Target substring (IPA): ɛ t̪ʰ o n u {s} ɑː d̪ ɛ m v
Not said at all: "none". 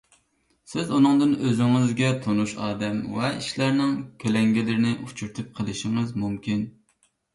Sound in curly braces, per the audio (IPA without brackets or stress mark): ʃ